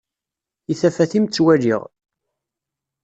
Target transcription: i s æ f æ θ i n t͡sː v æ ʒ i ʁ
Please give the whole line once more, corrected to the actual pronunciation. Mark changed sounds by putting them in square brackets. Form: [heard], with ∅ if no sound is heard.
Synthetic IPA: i [θ] æ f æ θ i [m] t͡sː [w] æ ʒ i ʁ